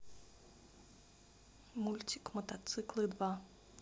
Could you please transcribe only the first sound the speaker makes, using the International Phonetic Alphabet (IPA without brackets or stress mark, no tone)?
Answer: m